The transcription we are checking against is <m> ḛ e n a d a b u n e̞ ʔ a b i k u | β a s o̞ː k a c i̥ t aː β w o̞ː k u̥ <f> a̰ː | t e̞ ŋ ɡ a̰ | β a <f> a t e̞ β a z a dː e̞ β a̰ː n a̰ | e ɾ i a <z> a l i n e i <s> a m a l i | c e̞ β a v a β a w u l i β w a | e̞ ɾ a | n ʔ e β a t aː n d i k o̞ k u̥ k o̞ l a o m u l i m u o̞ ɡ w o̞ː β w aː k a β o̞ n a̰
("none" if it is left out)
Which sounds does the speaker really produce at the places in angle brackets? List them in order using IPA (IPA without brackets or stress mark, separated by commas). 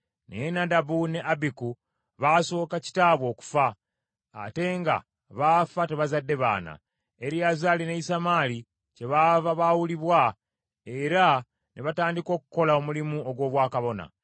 n, f, f, z, s